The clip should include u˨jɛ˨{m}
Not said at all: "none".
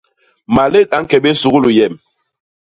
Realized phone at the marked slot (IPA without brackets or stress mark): m